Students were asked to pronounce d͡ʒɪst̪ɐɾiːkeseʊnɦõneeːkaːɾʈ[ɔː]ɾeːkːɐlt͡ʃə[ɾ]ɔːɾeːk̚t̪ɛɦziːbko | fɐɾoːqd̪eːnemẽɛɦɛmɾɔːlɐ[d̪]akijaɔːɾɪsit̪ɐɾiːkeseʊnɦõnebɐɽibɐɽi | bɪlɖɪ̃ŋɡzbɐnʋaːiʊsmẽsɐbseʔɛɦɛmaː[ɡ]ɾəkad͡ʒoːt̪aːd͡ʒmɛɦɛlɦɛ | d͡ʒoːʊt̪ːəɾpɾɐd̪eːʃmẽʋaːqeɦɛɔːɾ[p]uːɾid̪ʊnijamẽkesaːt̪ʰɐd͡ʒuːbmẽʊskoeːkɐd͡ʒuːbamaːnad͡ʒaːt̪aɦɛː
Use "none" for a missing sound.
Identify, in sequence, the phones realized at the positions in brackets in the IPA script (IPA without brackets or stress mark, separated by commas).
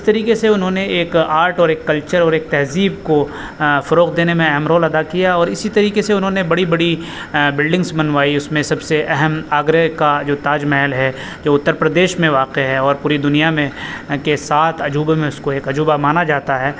ɔː, ɾ, d̪, ɡ, p